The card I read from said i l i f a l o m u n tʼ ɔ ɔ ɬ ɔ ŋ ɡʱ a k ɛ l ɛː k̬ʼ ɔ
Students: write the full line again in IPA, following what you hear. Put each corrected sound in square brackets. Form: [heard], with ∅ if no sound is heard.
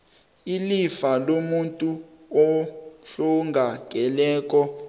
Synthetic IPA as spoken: i l i f a l o m u n tʼ [u] ɔ ɬ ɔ ŋ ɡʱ a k ɛ l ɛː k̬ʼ ɔ